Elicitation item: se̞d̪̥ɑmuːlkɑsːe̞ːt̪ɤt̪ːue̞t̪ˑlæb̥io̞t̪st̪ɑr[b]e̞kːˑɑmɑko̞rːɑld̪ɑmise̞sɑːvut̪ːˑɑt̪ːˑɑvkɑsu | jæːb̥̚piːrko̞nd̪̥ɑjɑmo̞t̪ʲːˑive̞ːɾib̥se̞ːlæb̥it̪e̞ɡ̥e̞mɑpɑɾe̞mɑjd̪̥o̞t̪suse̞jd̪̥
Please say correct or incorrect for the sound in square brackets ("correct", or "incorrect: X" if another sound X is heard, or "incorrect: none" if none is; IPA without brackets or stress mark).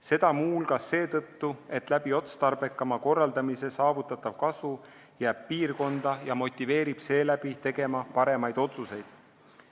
correct